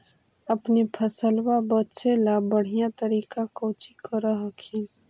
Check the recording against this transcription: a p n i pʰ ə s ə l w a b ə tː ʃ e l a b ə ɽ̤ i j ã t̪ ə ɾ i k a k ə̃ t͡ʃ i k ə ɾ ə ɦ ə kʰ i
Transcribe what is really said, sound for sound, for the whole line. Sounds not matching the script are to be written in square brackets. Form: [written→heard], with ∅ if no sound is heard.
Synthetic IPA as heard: [a→ə] p n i pʰ ə s ə l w a b ə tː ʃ e l a b ə ɽ̤ i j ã t̪ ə ɾ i k a k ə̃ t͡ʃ i k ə ɾ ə ɦ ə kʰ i